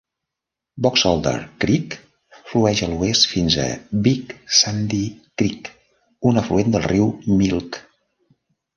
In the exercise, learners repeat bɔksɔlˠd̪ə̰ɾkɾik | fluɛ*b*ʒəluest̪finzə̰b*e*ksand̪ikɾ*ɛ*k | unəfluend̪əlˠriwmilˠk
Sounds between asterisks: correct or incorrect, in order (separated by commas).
incorrect, incorrect, incorrect